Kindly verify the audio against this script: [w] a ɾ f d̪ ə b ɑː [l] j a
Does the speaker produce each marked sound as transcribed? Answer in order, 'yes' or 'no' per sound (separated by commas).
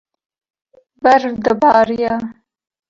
no, no